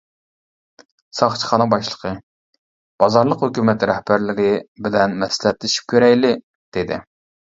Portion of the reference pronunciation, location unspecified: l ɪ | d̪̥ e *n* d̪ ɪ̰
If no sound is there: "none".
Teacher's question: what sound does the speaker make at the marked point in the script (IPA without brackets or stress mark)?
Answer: none